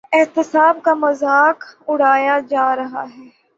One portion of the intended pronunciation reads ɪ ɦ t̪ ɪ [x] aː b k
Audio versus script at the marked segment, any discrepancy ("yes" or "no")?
yes